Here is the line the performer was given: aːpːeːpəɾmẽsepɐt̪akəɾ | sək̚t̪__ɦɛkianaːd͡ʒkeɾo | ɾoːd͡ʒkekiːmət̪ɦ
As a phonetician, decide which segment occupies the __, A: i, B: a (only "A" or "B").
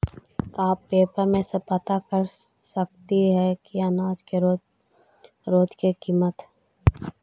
A